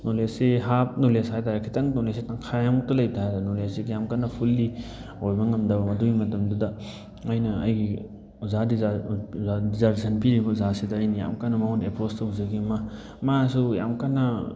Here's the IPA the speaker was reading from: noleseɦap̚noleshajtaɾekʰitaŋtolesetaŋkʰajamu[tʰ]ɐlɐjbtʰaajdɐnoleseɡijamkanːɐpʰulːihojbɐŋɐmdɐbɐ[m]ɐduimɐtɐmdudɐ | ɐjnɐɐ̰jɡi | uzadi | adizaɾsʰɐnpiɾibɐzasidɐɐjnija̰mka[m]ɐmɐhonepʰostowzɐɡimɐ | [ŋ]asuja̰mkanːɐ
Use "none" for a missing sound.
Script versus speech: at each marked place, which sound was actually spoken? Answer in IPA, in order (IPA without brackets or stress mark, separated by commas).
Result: t, m, n, m